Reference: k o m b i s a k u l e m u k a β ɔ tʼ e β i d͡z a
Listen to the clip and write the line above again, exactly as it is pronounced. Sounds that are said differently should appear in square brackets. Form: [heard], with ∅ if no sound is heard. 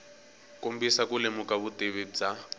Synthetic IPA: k o m b i s a k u l e m u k a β [u] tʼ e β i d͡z a